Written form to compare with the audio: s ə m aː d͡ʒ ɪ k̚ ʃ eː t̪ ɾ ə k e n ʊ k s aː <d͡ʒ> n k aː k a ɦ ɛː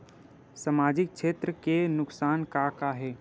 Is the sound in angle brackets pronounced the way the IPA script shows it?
no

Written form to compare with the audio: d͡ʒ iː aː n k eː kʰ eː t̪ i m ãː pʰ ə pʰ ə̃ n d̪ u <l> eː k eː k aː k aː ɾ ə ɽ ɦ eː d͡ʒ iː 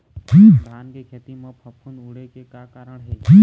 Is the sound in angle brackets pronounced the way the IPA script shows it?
no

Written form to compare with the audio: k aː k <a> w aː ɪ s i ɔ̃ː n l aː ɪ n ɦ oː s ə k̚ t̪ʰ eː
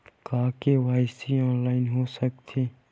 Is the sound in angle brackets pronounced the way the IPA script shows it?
no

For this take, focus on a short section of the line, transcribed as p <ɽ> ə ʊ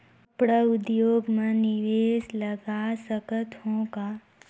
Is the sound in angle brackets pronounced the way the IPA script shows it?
yes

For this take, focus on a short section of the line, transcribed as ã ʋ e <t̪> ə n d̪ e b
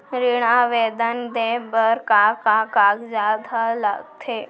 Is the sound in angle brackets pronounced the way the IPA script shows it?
no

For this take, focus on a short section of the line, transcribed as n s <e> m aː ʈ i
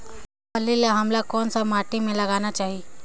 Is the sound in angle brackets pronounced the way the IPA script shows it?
no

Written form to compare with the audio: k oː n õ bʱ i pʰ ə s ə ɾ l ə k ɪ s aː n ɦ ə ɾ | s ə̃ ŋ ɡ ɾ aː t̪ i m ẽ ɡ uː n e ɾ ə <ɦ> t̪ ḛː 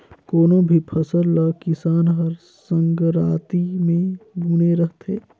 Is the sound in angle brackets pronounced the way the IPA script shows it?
yes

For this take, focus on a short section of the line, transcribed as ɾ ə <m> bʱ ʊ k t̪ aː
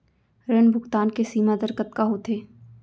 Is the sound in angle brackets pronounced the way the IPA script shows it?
no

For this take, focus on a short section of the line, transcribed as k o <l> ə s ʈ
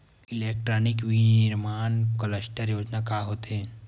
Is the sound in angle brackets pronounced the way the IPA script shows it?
yes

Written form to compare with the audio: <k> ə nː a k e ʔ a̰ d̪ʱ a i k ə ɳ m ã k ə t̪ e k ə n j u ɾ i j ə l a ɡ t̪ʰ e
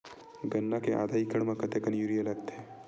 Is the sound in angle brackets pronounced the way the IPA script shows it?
no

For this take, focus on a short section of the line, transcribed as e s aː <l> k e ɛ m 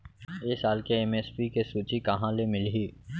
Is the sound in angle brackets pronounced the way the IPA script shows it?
yes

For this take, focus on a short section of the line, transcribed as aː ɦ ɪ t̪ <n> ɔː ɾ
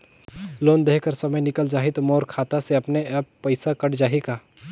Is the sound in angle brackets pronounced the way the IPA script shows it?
no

